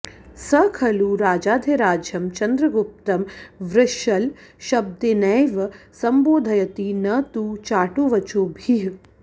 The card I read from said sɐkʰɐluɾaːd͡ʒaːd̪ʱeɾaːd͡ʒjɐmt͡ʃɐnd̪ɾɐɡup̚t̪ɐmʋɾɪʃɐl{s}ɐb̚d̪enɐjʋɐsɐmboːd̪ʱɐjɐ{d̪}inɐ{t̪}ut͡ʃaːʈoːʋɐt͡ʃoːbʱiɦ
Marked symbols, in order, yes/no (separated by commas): no, no, yes